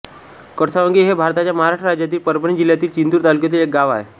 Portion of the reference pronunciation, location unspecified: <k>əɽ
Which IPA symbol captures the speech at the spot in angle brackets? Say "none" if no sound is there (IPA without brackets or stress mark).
k